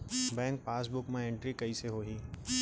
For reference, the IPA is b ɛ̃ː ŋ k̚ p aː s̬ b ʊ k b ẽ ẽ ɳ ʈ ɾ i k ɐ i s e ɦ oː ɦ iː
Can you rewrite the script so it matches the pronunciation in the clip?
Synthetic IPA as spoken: b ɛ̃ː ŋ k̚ p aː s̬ b ʊ k m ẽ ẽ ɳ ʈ ɾ i k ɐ i s e ɦ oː ɦ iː